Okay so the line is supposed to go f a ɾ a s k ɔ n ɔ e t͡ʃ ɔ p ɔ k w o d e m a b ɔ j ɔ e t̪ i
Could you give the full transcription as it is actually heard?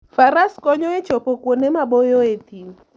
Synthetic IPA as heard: f a ɾ a s k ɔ ɲ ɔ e t͡ʃ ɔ p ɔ k w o n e m a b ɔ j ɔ e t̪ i